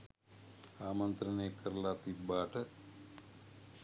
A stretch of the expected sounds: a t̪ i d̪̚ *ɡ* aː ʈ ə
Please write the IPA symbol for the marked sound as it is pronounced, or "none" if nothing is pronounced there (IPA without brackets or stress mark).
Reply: b